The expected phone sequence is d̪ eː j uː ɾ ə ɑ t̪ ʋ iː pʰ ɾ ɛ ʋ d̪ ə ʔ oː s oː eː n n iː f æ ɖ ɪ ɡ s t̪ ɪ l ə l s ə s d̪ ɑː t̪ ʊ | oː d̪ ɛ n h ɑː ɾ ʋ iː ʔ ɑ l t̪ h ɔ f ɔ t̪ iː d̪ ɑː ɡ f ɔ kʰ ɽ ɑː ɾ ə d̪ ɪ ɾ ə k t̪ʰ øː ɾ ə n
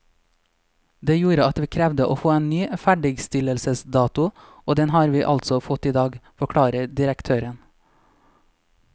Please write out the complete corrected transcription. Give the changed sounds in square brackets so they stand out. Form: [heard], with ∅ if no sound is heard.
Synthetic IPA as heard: d̪ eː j uː ɾ ə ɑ t̪ ʋ iː [kʰ] ɾ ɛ ʋ d̪ ə ʔ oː [f] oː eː n n [yː] f æ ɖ ɪ ɡ s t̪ ɪ l ə l s ə s d̪ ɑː t̪ ʊ | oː d̪ ɛ n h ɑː ɾ ʋ iː ʔ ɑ l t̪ [s] ɔ f ɔ t̪ iː d̪ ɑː ɡ f ɔ kʰ ɽ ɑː ɾ ə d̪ ɪ ɾ ə k t̪ʰ øː ɾ ə n